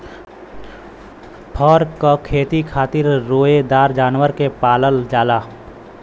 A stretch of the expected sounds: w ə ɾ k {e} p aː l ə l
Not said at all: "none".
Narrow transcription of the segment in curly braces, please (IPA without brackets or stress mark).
e